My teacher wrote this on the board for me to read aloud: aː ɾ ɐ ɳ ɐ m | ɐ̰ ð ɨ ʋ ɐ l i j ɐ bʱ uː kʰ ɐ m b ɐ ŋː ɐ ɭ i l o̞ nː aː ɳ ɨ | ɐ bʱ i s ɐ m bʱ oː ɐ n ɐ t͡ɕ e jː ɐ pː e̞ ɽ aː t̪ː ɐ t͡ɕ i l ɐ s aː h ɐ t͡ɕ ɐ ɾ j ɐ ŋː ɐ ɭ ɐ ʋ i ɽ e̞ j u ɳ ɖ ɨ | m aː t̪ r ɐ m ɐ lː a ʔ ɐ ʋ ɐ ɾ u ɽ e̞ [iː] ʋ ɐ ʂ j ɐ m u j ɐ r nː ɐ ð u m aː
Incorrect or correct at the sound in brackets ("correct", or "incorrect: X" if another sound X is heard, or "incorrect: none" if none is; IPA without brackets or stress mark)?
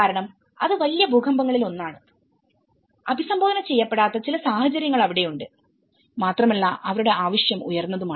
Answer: incorrect: aː